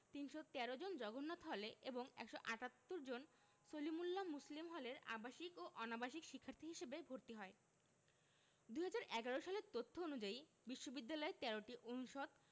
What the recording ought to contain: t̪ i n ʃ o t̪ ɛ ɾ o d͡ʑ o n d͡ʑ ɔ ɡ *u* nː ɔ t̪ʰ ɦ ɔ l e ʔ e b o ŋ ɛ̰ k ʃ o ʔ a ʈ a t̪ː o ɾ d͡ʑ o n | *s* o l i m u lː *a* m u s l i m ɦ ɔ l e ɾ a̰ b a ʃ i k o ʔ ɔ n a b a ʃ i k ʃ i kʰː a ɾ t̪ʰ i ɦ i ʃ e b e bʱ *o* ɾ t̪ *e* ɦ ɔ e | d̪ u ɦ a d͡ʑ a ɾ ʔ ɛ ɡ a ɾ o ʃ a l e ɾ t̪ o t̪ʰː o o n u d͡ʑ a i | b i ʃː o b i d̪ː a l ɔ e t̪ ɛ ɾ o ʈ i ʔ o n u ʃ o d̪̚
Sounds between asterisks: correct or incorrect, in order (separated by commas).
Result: incorrect, correct, correct, correct, incorrect